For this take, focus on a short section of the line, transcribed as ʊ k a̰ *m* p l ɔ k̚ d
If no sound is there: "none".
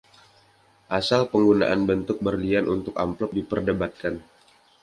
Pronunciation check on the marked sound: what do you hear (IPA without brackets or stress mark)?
m